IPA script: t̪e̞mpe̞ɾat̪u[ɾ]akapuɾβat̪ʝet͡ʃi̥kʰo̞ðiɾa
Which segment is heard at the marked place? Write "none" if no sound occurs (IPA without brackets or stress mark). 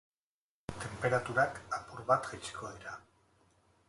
ɾ